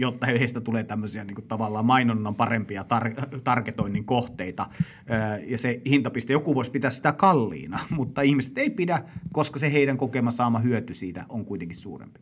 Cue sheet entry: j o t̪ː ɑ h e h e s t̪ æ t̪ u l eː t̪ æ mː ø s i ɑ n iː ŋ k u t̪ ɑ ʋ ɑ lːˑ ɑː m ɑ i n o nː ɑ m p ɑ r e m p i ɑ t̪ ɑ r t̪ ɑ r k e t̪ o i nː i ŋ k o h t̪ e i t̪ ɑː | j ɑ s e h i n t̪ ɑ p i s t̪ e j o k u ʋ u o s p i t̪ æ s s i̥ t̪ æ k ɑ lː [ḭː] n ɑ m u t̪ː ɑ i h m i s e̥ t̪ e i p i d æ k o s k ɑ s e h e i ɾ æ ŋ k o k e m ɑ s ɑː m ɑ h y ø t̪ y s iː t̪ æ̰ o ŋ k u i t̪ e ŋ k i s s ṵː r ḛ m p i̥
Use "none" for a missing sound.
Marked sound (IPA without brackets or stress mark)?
ḭː